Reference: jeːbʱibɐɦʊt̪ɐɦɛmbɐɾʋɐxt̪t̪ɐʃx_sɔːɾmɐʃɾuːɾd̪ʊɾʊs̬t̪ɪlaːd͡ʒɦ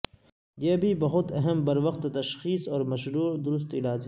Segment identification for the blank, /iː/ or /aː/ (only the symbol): iː